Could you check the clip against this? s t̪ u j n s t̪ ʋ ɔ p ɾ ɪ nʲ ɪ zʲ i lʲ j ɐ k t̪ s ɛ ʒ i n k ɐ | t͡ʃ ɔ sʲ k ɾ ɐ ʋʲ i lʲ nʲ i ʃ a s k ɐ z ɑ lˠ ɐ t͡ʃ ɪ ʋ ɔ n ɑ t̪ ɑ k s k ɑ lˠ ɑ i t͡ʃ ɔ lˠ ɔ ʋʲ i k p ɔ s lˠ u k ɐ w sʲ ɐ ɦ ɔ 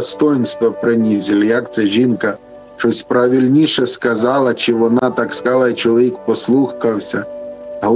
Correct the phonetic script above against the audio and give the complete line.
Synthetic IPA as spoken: s t̪ ɔ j n s t̪ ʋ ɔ p ɾ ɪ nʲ i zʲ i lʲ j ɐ k t̪ s ɛ ʒ i n k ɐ | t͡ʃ ɔ sʲ p ɾ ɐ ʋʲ i lʲ nʲ i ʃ ɛ s k ɐ z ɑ lˠ ɐ t͡ʃ ɪ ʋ ɔ n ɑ t̪ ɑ k s k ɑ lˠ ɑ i t͡ʃ ɔ lˠ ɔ ʋʲ i k p ɔ s lˠ u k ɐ w sʲ ɐ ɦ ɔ